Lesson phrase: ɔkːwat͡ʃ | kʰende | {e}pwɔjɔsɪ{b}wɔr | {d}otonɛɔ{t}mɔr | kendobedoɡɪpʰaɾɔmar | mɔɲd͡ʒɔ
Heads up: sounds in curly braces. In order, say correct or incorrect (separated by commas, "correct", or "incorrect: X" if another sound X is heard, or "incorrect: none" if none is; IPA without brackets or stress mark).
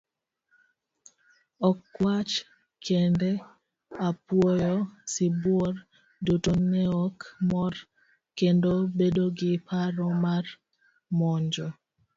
incorrect: a, correct, correct, incorrect: k